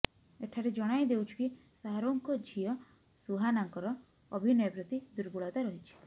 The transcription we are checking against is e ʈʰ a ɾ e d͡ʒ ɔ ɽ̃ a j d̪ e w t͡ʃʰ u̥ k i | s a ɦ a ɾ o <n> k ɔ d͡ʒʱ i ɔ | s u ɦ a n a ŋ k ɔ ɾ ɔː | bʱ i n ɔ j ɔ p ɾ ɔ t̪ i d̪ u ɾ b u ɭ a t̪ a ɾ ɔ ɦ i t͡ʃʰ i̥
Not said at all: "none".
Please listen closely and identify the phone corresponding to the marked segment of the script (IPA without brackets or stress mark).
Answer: ŋ